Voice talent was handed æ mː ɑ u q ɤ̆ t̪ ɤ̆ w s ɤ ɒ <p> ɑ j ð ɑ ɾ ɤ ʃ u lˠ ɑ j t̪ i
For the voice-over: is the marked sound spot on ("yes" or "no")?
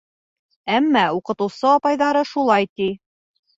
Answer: yes